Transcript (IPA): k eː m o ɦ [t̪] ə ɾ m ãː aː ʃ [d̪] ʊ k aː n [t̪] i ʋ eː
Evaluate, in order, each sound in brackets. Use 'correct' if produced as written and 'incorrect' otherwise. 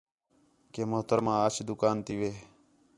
correct, correct, correct

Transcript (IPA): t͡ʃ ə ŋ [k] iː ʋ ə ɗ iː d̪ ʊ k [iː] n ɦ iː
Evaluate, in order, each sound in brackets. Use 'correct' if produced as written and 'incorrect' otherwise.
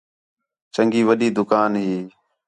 incorrect: ɡ, incorrect: aː

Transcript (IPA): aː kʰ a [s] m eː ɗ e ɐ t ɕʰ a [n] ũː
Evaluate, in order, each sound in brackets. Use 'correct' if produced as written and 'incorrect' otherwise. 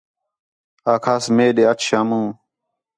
correct, incorrect: m

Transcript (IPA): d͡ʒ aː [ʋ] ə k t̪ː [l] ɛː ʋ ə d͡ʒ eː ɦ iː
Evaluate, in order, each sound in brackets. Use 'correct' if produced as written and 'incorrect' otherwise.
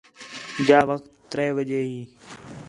correct, incorrect: ɾ

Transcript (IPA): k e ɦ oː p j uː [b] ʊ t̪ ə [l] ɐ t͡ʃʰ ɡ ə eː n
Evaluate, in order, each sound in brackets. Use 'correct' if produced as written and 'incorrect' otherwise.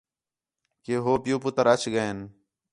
incorrect: p, incorrect: ɾ

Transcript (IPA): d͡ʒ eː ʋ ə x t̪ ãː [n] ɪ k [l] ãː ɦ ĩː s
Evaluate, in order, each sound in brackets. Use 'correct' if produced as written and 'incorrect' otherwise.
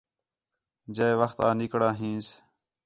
correct, incorrect: ɽ

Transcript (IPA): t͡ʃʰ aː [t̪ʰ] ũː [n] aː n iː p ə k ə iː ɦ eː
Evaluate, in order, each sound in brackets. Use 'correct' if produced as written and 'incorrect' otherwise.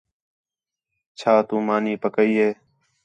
incorrect: t̪, incorrect: m

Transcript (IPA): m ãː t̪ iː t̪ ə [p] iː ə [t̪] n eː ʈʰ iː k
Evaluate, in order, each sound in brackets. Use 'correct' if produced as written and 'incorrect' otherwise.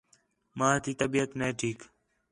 incorrect: b, correct

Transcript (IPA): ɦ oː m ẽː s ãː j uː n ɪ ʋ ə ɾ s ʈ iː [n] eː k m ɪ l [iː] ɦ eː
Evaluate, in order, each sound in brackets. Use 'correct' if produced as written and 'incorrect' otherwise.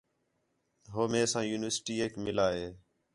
incorrect: none, incorrect: aː

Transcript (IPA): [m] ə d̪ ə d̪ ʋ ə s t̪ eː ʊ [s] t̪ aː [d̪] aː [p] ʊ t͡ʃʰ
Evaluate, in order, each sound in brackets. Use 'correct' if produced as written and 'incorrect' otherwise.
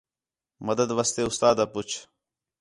correct, correct, correct, correct

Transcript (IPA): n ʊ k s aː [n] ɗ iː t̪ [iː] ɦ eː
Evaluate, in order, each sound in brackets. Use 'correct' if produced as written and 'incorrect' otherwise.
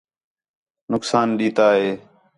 correct, incorrect: aː

